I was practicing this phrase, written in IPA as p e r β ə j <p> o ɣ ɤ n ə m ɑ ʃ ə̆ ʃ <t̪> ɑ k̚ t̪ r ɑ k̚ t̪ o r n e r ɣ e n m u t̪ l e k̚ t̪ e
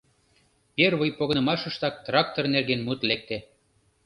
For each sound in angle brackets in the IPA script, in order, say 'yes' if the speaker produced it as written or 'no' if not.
yes, yes

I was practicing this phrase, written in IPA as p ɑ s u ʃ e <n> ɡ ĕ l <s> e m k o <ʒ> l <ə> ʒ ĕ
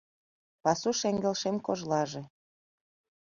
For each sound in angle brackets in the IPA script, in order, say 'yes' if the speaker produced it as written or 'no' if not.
no, no, yes, no

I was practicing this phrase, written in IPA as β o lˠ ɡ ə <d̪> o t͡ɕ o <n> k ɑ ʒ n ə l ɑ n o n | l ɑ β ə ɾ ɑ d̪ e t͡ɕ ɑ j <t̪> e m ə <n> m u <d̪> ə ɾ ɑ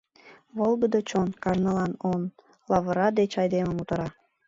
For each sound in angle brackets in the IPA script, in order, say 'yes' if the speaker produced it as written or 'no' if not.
yes, yes, no, no, no

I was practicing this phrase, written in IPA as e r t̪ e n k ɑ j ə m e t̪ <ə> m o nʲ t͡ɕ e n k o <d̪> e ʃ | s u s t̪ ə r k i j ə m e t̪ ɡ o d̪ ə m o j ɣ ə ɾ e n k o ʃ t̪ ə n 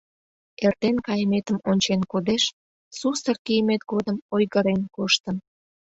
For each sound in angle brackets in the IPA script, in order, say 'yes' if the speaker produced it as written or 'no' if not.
yes, yes

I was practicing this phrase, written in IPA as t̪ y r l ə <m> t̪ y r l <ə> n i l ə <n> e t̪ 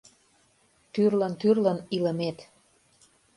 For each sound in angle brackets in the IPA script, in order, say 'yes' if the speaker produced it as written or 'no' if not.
no, yes, no

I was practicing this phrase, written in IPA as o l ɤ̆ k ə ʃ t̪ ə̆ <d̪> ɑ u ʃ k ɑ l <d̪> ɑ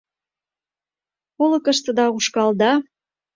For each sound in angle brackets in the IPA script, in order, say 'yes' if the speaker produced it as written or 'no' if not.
yes, yes

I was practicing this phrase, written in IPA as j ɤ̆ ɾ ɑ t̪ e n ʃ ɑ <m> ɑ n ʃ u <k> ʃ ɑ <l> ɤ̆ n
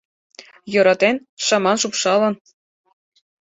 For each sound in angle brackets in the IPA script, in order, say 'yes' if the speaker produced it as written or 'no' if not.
yes, no, yes

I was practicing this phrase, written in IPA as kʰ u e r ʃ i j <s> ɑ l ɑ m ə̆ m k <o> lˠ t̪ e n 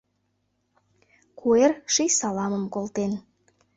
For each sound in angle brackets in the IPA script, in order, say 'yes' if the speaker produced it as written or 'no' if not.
yes, yes

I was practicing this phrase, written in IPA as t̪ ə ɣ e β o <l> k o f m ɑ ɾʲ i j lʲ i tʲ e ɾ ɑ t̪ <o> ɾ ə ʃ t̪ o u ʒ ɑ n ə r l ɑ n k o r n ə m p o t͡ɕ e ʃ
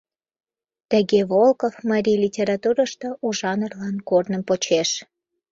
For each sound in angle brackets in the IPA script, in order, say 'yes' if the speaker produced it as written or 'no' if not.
yes, no

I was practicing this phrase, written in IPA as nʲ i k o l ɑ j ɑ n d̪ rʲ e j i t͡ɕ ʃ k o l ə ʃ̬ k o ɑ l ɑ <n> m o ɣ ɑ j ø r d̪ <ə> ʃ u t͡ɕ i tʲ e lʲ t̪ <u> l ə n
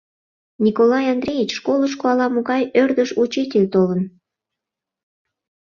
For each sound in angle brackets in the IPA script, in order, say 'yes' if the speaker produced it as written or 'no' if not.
no, yes, no

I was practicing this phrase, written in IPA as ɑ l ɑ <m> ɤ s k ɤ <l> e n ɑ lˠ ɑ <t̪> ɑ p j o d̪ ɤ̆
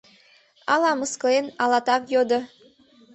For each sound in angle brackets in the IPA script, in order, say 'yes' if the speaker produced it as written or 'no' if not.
yes, yes, yes

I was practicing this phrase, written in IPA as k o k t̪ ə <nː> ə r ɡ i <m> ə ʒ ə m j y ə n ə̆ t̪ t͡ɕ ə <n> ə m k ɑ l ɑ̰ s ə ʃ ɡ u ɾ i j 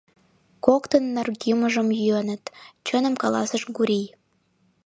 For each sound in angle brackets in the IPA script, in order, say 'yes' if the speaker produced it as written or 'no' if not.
yes, yes, yes

